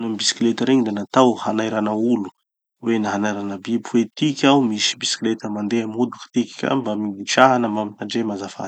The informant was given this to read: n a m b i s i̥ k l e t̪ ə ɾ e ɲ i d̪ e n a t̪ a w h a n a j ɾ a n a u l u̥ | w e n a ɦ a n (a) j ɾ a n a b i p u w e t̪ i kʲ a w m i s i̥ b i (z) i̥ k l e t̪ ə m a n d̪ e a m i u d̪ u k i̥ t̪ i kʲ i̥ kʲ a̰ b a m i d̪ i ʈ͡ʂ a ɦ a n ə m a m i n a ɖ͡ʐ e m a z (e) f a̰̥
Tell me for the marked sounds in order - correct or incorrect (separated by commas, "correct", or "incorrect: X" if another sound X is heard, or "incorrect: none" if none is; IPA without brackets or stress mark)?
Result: correct, incorrect: s, incorrect: a